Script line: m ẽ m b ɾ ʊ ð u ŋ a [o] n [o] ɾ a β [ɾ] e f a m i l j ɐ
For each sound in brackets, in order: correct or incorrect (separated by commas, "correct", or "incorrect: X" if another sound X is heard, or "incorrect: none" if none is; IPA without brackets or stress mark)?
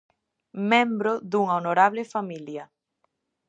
correct, correct, incorrect: l